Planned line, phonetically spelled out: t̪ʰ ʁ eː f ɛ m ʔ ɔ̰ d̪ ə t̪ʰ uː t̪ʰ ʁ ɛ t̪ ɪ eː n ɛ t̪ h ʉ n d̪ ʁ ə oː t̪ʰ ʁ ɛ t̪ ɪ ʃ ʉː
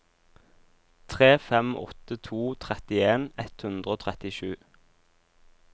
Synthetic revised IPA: t̪ʰ ʁ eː f ɛ m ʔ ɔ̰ t̪ ə t̪ʰ uː t̪ʰ ʁ ɛ t̪ ɪ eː n ɛ t̪ h ʉ n d̪ ʁ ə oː t̪ʰ ʁ ɛ t̪ ɪ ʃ ʉː